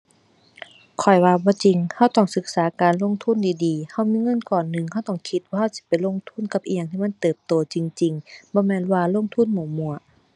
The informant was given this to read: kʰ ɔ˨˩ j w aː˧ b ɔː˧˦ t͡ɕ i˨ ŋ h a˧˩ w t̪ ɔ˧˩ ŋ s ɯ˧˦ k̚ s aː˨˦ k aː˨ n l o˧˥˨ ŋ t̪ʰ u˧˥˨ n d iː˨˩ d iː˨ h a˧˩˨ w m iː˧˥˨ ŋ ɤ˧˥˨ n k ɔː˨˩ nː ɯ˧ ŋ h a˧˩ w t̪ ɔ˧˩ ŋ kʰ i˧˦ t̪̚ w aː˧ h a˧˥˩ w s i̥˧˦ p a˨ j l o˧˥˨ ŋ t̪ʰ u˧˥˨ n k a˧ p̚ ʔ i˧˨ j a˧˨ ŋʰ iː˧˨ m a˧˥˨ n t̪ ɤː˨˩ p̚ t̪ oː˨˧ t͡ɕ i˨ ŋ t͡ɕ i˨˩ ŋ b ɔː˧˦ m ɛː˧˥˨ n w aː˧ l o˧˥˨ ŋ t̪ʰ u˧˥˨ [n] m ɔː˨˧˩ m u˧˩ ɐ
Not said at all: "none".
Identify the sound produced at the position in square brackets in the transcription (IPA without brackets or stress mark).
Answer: n